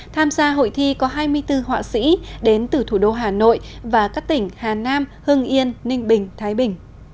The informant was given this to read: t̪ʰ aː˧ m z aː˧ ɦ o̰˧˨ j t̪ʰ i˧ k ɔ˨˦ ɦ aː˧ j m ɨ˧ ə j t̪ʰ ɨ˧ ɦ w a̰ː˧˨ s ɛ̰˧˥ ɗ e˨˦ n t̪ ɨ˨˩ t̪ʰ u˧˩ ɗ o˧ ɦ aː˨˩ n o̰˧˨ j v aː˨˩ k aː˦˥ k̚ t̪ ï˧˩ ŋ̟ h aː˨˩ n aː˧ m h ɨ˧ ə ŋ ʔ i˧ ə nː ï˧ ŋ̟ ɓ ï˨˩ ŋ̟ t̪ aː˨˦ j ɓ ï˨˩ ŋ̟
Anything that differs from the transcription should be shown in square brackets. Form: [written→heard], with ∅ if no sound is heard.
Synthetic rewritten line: t̪ʰ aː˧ m z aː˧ ɦ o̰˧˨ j t̪ʰ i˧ k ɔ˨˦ ɦ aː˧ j m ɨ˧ ə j [t̪ʰ→t̪] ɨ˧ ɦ w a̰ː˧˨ s [ɛ̰˧˥→ḭ˧˥] ɗ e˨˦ n t̪ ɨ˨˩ t̪ʰ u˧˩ ɗ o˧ ɦ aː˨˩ n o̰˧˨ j v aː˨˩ k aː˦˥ k̚ t̪ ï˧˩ ŋ̟ h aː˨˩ n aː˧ m h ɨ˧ ə ŋ ʔ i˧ ə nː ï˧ ŋ̟ ɓ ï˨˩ ŋ̟ [t̪→t̪ʰ] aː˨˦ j ɓ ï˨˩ ŋ̟